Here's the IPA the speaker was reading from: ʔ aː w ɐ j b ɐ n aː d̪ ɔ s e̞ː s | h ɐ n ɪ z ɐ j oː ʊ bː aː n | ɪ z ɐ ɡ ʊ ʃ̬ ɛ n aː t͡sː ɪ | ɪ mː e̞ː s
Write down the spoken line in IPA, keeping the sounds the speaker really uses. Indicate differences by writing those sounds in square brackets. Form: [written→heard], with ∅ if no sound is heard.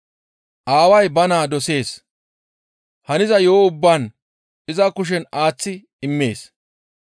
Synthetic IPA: ʔ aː w ɐ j b ɐ n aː d̪ ɔ s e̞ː s | h ɐ n ɪ z ɐ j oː ʊ bː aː n | ɪ z ɐ [ɡ→k] ʊ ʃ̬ ɛ n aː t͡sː ɪ | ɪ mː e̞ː s